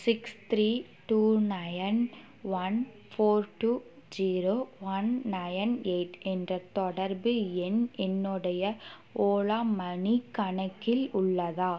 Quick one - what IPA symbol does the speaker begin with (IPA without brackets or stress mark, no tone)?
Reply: s